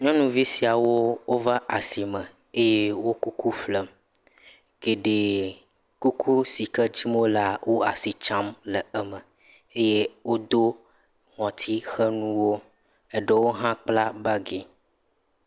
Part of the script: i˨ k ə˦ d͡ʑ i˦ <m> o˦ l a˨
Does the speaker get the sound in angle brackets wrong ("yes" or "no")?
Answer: no